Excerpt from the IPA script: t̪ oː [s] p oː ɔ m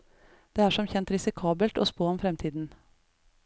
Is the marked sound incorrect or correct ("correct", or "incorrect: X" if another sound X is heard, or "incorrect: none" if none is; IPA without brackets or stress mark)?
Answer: correct